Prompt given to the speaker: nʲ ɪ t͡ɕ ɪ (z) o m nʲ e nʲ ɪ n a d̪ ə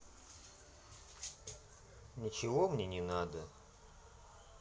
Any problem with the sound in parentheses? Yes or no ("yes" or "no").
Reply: yes